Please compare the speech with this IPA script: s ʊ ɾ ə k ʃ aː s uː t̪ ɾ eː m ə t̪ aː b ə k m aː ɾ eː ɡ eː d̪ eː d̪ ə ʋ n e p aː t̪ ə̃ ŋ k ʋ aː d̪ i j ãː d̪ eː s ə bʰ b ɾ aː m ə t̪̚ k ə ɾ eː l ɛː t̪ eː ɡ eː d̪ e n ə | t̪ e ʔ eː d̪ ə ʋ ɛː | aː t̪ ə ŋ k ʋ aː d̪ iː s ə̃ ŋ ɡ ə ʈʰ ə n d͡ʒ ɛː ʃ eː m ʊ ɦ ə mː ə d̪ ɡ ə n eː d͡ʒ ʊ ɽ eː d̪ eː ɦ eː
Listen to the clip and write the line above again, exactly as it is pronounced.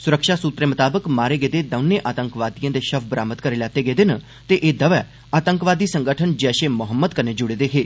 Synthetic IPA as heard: s ʊ ɾ ə k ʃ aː s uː t̪ ɾ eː m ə t̪ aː b ə k m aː ɾ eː ɡ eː d̪ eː d̪ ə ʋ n e ʔ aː t̪ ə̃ ŋ k ʋ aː d̪ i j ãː d̪ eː ʃ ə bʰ b ɾ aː m ə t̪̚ k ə ɾ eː l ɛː t̪ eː ɡ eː d̪ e n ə | t̪ e ʔ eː d̪ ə ʋ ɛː | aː t̪ ə ŋ k ʋ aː d̪ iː s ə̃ ŋ ɡ ə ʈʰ ə n d͡ʒ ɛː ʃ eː m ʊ ɦ ə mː ə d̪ k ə n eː d͡ʒ ʊ ɽ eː d̪ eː ɦ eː

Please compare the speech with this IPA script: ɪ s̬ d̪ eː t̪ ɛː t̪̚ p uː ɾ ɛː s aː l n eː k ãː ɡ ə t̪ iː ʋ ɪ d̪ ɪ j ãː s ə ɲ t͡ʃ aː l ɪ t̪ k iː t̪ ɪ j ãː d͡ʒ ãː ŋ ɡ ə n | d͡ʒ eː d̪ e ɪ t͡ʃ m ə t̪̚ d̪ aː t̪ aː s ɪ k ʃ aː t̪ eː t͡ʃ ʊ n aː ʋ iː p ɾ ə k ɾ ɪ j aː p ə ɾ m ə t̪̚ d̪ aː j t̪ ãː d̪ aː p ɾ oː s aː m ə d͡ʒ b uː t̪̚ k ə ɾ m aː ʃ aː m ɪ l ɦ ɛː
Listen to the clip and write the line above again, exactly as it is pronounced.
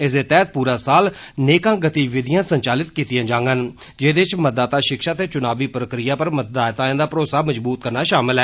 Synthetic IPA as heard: ɪ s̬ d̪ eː t̪ ɛː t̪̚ p uː ɾ aː s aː l n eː k ãː ɡ ə t̪ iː ʋ ɪ d̪ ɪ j ãː s ə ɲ t͡ʃ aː l ɪ t̪ k iː t̪ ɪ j ãː d͡ʒ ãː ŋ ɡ ə n | d͡ʒ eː d̪ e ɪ t͡ʃ m ə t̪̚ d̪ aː t̪ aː ʃ ɪ k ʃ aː t̪ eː t͡ʃ ʊ n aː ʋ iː p ɾ ə k ɾ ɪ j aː p ə ɾ m ə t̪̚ d̪ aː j t̪ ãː d̪ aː p ɾ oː s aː m ə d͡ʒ b uː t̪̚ k ə ɾ n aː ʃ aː m ɪ l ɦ ɛː

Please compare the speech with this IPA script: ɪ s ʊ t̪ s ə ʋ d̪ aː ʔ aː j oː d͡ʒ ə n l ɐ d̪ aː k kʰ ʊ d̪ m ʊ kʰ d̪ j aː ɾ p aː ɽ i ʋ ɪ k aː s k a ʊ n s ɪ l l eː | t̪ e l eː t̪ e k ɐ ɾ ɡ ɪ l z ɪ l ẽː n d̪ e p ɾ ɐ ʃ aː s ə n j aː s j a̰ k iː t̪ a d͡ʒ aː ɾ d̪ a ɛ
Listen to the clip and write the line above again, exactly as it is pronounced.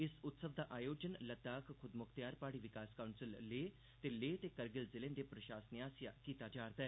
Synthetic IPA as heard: ɪ s ʊ t̪ s ə ʋ d̪ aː ʔ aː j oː d͡ʒ ə n l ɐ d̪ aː k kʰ ʊ d̪ m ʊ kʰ t̪ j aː ɾ p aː ɽ i ʋ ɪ k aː s k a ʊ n s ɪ l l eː | t̪ e l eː t̪ e k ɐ ɾ ɡ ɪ l z ɪ l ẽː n d̪ e p ɾ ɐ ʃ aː s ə n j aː s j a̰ k iː t̪ a d͡ʒ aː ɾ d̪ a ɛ

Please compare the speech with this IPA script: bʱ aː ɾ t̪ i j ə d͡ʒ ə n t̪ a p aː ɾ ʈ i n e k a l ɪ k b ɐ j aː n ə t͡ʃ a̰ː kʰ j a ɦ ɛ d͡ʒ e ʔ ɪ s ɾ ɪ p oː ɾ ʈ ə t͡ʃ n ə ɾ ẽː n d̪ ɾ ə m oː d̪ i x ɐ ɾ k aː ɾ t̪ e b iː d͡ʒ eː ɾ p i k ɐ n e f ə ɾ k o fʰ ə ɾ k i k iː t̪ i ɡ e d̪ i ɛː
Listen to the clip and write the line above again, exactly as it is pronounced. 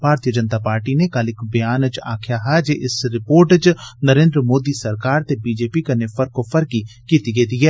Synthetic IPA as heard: bʱ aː ɾ t̪ i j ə d͡ʒ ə n t̪ a p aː ɾ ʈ i n e k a l ɪ k b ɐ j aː n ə t͡ʃ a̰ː kʰ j a ɦ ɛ d͡ʒ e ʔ ɪ s ɾ ɪ p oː ɾ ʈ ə t͡ʃ n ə ɾ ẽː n d̪ ɾ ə m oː d̪ i s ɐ ɾ k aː ɾ t̪ e b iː d͡ʒ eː p i k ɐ n e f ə ɾ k o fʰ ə ɾ k i k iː t̪ i ɡ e d̪ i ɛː

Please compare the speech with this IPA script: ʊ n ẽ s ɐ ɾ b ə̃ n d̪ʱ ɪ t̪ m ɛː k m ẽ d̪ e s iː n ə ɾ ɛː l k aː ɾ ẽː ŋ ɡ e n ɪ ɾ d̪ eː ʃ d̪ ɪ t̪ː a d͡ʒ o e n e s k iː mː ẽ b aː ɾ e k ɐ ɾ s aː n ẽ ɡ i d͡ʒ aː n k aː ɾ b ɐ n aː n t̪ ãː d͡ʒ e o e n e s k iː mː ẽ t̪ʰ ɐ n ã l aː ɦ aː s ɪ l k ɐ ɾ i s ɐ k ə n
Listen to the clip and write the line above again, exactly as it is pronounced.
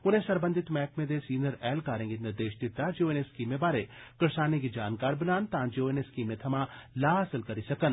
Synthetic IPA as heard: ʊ n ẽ s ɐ ɾ b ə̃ n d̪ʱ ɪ t̪ m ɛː k m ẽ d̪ e s iː n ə ɾ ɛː l k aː ɾ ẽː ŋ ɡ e n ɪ ɾ d̪ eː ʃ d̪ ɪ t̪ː a d͡ʒ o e n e s k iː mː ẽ b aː ɾ e k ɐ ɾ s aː n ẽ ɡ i d͡ʒ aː n k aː ɾ b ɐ n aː n t̪ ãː d͡ʒ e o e n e s k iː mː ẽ t̪ʰ ɐ m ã l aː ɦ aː s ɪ l k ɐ ɾ i s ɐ k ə n

